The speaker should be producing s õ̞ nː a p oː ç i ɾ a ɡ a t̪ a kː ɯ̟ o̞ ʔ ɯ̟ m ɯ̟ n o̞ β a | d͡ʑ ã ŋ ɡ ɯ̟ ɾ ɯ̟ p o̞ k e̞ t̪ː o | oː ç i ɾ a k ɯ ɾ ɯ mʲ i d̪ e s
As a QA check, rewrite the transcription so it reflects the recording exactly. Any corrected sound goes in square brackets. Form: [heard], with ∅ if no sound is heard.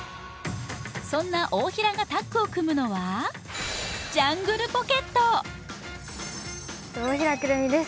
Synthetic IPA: s õ̞ nː a [ʔ] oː ç i ɾ a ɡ a t̪ a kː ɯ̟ o̞ [k] ɯ̟ m ɯ̟ n o̞ β a | d͡ʑ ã ŋ ɡ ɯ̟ ɾ ɯ̟ p o̞ k e̞ t̪ː o | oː ç i ɾ a k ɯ ɾ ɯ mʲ i d̪ e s